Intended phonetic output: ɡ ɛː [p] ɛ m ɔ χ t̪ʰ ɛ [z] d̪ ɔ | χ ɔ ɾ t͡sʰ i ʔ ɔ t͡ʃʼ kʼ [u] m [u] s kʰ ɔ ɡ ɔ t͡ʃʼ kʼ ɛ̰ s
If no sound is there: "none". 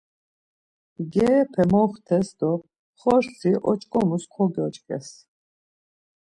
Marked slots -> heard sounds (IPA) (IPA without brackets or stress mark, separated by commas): pʰ, s, ɔ, u